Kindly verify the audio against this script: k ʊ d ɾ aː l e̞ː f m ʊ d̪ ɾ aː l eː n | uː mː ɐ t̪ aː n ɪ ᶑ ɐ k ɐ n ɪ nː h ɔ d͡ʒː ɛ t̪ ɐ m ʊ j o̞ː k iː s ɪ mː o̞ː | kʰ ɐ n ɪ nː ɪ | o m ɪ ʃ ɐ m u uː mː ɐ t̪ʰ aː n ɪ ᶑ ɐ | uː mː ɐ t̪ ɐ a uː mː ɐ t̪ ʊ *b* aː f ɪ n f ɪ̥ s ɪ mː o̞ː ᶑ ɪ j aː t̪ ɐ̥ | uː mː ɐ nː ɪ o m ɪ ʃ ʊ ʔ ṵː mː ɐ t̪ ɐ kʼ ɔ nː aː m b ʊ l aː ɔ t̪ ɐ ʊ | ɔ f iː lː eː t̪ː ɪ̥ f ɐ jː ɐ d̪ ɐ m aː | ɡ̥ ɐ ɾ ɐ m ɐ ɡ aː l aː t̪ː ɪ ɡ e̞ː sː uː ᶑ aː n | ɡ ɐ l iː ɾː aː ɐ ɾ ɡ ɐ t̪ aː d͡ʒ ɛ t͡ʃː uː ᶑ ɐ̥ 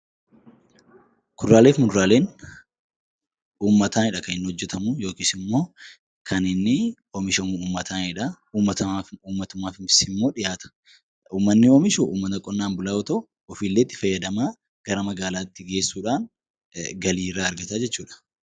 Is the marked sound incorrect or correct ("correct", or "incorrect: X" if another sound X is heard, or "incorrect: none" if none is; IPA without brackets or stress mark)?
incorrect: m